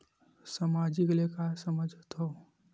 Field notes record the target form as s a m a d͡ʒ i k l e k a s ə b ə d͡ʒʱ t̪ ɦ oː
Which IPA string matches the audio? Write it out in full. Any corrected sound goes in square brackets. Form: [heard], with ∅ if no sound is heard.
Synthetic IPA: s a m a d͡ʒ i k l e k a s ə [m] ə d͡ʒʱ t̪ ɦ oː